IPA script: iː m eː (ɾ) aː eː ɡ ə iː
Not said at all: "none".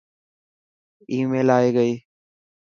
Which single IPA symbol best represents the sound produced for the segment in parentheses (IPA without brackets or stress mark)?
l